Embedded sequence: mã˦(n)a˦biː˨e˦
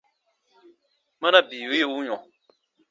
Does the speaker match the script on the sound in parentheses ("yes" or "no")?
yes